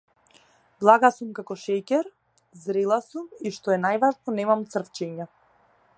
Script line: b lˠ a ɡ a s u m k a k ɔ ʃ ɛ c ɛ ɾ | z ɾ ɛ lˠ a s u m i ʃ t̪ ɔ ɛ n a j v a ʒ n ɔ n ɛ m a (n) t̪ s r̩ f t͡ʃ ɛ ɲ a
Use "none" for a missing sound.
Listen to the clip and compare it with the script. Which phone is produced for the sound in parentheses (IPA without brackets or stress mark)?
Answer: m